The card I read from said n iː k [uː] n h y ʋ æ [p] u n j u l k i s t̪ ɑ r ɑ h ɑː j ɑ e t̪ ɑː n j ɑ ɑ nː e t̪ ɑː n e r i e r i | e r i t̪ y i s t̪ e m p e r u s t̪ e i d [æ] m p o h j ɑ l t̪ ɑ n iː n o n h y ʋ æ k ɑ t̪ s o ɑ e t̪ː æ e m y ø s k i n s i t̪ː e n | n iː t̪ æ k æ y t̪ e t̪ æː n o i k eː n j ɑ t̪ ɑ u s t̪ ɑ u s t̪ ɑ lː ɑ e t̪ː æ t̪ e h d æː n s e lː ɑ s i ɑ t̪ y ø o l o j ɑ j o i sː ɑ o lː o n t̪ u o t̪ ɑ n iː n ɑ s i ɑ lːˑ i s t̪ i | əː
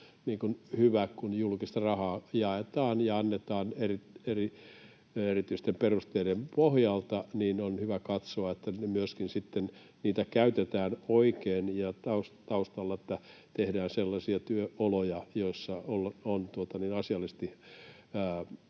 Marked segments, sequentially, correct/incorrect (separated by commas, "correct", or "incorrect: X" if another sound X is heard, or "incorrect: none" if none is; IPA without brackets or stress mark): incorrect: u, incorrect: k, incorrect: e